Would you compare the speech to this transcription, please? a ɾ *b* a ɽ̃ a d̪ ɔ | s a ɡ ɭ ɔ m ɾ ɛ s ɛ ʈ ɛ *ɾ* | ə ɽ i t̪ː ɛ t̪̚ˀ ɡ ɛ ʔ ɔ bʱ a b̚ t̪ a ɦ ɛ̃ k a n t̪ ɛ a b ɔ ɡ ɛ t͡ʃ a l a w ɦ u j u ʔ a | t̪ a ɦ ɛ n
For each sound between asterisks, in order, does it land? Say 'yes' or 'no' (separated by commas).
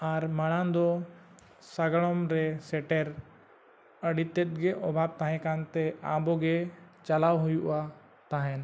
no, yes